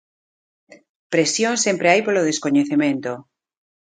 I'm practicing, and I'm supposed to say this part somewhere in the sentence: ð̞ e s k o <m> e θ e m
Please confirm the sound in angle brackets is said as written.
no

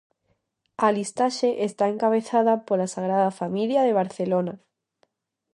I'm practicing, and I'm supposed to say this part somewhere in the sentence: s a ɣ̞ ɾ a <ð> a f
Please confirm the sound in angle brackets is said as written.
yes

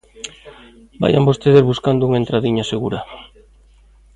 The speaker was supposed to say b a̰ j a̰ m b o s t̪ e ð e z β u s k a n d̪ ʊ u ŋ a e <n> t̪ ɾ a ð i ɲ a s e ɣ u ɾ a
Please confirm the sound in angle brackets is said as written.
yes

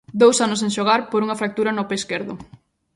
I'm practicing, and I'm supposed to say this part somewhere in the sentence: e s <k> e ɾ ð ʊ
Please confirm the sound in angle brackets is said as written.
yes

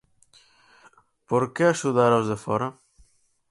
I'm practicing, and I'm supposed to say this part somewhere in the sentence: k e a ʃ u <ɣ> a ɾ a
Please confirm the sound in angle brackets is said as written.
no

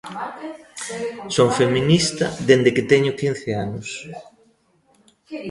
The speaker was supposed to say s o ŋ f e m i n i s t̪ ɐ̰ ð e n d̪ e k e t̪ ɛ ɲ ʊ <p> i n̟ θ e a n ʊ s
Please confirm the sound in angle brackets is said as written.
no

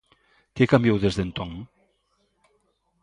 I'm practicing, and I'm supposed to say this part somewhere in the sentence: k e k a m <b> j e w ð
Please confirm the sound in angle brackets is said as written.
yes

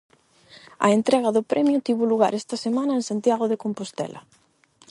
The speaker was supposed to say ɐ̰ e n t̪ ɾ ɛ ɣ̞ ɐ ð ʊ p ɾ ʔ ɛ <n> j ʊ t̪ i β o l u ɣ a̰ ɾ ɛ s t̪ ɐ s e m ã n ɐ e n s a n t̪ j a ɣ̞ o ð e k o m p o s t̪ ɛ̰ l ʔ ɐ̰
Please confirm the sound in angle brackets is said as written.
no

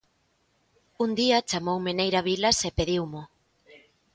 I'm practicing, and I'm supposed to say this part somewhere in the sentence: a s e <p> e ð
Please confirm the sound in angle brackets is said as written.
yes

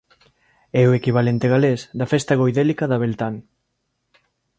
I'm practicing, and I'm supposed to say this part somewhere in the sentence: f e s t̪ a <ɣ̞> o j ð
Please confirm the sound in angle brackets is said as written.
yes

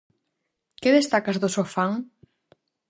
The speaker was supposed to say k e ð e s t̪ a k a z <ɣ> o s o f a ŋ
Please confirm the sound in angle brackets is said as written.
no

